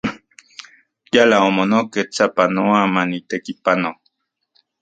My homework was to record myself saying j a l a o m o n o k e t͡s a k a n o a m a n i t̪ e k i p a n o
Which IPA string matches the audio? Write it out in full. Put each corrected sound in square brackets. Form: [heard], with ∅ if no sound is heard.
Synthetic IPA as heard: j a l a o m o n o k e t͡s a [p] a n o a m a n i t̪ e k i p a n o